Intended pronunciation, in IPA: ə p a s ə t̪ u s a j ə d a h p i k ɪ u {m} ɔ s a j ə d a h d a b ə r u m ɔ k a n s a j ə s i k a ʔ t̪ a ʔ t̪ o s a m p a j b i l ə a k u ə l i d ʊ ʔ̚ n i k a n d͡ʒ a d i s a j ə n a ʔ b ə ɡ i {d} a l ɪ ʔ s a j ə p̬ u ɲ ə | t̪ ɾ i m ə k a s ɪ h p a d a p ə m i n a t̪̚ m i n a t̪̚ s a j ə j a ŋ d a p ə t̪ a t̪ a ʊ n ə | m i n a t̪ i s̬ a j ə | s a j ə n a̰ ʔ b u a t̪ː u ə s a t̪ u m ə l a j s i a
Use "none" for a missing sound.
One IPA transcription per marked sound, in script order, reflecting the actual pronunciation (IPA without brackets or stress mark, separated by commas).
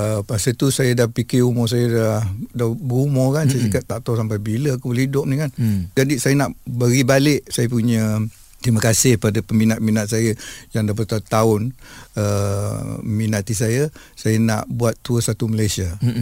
m, b